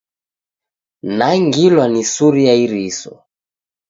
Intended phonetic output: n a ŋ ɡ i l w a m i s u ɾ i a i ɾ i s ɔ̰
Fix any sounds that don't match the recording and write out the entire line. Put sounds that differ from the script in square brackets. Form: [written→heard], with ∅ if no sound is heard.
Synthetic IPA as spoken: n a ŋ ɡ i l w a [m→n] i s u ɾ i a i ɾ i s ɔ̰